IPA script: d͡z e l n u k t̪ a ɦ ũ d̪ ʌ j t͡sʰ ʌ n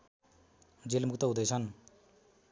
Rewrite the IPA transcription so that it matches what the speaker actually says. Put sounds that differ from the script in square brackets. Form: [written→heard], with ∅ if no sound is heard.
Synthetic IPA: d͡z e l [n→m] u k t̪ [a→ʌ] ɦ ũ d̪ ʌ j t͡sʰ ʌ n